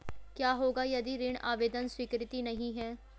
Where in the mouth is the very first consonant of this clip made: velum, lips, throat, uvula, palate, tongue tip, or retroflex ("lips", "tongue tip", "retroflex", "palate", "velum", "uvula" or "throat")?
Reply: velum